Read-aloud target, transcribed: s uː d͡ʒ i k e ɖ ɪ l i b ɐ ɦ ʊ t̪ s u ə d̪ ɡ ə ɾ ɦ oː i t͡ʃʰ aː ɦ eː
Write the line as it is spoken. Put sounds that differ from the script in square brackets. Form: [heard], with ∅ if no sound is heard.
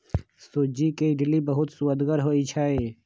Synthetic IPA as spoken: s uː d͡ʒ i k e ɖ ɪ l i b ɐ ɦ ʊ t̪ s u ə d̪ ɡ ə ɾ ɦ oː i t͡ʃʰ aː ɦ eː